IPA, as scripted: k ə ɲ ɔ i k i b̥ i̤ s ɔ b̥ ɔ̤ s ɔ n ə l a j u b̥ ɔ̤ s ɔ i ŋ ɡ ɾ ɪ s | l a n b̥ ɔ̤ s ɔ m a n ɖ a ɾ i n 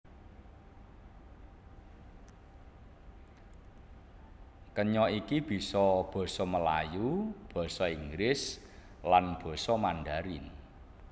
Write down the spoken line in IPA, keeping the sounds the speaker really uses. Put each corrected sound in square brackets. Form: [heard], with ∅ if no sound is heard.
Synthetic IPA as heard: k ə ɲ ɔ i k i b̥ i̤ s ɔ b̥ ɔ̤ s ɔ [m] ə l a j u b̥ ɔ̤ s ɔ i ŋ ɡ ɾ ɪ s | l a n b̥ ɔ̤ s ɔ m a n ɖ a ɾ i n